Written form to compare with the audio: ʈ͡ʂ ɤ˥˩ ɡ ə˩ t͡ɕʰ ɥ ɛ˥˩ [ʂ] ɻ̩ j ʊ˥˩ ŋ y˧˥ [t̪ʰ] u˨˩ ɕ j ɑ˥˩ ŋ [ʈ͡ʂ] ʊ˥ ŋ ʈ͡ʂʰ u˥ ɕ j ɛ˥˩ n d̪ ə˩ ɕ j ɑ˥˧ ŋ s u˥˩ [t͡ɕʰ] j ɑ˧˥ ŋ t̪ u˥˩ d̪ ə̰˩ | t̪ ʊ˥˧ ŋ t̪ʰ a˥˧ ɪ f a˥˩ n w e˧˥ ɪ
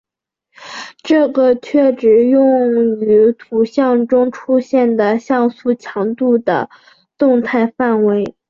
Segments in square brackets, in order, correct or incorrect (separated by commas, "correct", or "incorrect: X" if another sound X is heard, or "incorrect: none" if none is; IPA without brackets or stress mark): incorrect: ʈ͡ʂ, correct, correct, correct